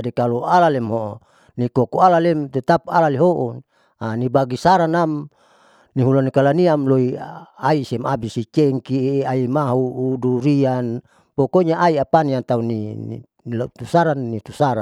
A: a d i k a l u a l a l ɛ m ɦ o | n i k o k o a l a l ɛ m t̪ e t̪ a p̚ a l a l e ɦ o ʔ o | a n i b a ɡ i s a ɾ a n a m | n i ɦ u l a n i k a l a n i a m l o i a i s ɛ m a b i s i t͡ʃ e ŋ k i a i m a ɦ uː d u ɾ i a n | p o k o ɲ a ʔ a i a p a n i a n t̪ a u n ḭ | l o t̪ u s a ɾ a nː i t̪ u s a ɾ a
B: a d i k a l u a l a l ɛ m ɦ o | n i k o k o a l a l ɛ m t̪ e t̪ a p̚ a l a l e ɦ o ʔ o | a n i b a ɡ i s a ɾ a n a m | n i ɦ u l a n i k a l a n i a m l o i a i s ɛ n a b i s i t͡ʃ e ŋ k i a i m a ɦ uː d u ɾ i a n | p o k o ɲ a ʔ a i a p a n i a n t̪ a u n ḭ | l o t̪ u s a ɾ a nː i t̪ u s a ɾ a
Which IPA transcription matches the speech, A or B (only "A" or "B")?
A